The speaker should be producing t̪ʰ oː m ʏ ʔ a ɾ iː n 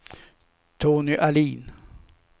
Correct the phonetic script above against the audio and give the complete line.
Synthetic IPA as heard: t̪ʰ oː n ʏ ʔ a l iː n